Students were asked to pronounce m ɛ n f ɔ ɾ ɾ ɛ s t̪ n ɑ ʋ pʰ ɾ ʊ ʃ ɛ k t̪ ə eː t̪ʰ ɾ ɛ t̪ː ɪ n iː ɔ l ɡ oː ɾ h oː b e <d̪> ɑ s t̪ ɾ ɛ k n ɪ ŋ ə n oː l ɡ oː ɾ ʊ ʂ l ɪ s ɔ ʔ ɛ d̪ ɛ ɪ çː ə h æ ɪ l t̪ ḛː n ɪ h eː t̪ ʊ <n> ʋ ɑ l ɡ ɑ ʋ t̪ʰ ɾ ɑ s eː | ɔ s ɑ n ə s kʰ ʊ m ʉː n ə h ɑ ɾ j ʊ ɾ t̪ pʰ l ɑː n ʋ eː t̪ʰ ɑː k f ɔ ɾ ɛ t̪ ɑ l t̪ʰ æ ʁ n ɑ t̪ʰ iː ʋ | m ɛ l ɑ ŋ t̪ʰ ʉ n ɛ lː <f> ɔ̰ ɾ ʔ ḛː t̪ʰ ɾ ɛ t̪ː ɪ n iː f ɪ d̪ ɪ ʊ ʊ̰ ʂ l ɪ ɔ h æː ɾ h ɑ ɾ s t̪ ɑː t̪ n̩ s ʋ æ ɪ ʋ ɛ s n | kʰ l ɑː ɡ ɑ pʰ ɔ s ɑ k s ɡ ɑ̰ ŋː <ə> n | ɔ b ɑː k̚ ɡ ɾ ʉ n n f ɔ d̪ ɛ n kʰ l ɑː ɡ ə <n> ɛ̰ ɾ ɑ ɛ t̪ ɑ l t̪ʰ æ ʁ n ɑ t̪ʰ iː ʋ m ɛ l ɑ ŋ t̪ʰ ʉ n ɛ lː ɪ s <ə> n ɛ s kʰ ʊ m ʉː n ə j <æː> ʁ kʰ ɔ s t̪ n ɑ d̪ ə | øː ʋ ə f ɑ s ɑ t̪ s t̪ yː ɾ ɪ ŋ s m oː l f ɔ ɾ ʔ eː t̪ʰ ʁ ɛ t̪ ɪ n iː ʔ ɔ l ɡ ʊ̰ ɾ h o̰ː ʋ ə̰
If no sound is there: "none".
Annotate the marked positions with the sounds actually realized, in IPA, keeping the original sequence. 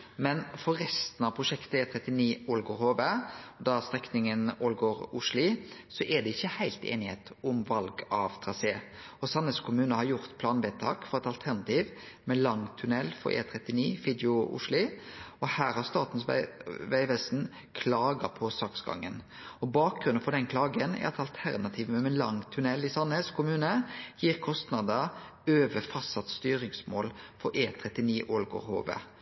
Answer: d̪, m, f, ə, n, ɑ, iː

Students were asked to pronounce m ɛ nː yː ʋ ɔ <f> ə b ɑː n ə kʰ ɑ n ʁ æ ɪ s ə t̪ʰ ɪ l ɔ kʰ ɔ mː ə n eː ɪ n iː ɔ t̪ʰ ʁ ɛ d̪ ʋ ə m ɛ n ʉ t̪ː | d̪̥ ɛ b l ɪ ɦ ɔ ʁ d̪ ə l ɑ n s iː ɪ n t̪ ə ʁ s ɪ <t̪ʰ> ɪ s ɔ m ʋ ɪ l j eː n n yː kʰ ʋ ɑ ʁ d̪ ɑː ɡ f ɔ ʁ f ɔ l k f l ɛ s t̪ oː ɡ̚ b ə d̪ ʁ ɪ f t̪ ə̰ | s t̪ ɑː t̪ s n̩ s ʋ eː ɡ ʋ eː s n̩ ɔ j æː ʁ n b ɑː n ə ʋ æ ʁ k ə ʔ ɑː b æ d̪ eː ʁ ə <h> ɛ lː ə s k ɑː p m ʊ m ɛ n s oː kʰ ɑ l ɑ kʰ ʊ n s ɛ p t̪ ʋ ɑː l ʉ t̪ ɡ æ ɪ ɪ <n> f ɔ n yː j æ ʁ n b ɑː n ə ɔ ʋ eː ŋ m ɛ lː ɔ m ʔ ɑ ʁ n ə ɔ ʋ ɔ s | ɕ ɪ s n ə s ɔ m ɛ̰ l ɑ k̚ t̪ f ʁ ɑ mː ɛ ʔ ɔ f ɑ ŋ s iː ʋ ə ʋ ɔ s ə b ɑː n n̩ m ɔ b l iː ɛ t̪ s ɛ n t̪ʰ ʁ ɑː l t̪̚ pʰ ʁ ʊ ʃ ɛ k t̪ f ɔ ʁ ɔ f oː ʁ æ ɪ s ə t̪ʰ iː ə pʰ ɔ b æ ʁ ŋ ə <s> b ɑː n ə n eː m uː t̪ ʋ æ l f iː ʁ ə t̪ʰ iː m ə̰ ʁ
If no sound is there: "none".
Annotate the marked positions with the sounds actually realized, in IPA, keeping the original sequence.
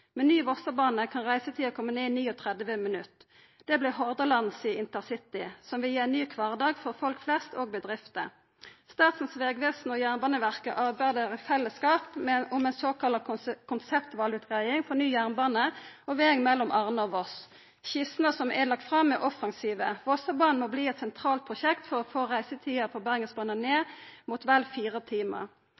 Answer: s, t̪, f, ŋ, s

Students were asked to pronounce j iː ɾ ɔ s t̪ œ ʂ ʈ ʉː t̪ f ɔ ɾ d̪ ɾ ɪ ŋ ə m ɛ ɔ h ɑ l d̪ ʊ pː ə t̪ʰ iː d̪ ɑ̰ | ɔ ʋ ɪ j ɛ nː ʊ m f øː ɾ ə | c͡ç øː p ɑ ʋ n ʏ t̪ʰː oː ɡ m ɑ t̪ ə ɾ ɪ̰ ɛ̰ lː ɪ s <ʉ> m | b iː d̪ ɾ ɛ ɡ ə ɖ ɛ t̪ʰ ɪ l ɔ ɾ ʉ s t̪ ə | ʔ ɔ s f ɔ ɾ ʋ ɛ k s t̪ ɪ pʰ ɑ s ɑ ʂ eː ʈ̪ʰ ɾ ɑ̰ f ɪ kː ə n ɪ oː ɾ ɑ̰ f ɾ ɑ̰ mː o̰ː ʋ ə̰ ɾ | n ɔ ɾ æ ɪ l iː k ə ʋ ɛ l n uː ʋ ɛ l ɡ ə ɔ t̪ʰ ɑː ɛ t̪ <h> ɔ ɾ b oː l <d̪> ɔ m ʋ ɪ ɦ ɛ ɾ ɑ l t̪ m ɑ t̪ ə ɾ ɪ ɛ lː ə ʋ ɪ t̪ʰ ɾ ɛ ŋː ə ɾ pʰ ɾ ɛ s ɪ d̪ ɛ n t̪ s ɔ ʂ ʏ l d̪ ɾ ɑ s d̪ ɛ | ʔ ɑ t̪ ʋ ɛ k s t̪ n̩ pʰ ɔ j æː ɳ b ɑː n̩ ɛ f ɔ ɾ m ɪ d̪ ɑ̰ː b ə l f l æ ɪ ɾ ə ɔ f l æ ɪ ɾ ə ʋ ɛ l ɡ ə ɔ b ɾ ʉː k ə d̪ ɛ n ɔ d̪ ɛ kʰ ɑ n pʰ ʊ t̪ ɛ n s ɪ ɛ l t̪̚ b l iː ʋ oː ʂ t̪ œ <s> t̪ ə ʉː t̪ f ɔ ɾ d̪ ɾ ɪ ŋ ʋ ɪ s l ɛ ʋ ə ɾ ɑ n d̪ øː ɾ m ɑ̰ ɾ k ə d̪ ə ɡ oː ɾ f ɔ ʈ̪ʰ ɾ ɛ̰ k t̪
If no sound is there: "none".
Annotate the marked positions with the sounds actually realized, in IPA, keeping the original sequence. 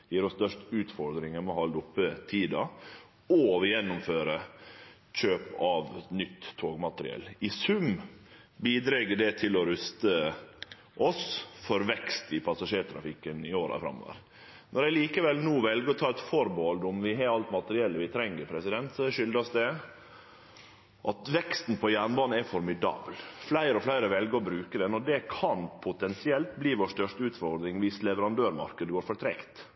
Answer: ʉ, f, d̪, ʂ

